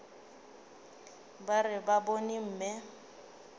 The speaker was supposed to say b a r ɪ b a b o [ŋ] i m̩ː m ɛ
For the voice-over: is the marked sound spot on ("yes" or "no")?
no